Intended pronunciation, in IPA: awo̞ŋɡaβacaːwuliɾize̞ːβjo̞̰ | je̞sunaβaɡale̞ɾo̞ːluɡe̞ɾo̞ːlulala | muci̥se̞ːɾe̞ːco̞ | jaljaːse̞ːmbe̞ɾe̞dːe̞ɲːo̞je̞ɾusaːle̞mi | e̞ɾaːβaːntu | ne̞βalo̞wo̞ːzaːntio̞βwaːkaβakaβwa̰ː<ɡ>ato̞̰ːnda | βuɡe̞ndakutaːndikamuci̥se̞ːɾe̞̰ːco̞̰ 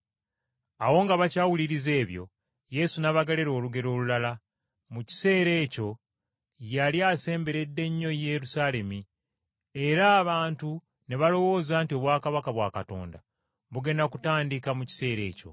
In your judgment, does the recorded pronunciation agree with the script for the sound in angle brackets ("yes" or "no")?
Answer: no